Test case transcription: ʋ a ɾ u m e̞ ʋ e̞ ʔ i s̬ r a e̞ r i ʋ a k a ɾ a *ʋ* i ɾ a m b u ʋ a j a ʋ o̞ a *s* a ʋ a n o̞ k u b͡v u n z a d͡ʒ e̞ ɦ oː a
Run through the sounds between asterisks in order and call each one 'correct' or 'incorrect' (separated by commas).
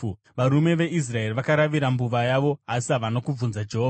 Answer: correct, correct